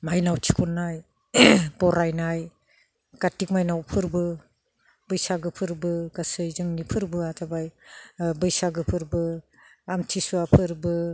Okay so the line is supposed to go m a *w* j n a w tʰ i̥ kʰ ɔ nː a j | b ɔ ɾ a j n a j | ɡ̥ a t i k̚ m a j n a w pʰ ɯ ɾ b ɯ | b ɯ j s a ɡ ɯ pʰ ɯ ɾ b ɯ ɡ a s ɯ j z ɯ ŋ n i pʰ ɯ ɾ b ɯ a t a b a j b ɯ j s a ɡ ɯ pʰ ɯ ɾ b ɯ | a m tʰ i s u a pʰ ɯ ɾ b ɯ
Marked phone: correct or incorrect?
incorrect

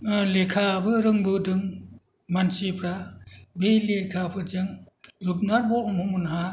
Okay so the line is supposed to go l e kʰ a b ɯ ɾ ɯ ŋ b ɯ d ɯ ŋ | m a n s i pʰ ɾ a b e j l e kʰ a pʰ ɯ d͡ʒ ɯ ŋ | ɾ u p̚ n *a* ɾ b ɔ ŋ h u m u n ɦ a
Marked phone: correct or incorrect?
correct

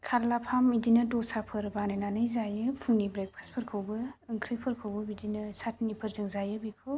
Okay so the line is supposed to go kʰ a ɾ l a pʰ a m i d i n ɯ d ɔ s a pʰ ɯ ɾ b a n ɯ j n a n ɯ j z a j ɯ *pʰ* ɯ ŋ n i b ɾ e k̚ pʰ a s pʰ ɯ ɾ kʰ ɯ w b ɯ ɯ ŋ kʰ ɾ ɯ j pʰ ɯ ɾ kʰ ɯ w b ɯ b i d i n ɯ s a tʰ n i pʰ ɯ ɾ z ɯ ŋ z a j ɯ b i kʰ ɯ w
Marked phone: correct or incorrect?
correct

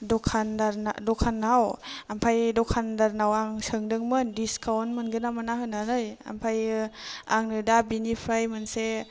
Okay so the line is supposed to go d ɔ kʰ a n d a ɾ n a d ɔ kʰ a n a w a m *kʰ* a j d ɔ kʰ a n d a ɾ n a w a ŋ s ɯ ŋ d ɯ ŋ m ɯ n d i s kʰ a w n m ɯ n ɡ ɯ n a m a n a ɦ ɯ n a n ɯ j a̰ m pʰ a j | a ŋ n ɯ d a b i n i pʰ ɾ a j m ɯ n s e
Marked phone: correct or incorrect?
incorrect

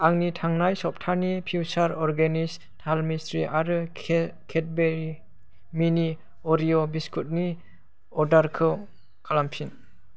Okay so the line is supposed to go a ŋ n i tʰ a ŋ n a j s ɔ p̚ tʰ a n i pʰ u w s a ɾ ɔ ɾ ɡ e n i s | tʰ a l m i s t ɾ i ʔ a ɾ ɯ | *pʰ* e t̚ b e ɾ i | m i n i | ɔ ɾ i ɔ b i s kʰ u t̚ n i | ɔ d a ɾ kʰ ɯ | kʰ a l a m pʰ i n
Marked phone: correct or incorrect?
incorrect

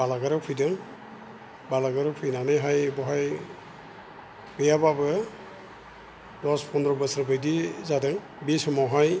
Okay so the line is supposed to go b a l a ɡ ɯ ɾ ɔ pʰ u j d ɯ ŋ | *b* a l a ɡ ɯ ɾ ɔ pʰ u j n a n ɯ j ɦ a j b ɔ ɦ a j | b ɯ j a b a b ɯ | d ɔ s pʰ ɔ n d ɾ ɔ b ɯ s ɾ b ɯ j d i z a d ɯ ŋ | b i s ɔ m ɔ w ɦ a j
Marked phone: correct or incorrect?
correct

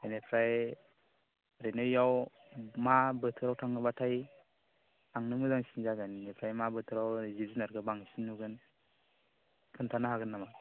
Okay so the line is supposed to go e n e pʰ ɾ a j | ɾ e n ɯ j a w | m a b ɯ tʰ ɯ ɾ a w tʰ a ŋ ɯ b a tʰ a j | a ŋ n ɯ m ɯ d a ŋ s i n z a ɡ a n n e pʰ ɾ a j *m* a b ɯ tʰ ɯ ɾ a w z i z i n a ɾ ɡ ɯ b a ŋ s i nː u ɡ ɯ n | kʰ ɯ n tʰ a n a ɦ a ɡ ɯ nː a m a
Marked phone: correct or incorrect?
correct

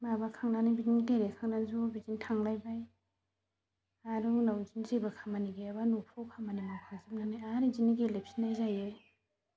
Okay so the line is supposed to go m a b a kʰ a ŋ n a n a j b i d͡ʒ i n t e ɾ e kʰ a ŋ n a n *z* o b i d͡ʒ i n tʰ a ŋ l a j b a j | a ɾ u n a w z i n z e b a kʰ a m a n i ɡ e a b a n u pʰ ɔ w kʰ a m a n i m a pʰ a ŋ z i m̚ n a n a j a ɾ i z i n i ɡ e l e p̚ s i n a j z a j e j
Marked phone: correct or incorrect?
correct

